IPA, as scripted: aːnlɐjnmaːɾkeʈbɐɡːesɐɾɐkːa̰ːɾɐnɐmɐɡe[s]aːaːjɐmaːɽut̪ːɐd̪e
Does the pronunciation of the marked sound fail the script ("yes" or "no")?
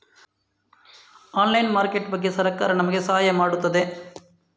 no